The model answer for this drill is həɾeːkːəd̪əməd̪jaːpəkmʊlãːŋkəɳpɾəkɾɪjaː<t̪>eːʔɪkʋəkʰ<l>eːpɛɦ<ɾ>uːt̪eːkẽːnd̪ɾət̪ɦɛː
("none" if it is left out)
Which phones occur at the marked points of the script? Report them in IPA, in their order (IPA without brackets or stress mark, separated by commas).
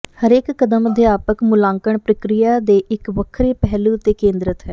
d̪, ɾ, l